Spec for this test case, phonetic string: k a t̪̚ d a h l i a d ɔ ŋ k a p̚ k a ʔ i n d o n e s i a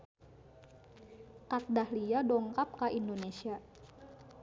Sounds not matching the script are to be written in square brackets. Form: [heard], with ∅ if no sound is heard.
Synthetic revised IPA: k a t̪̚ d a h l i a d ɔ ŋ k a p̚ k a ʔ i n d o n e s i a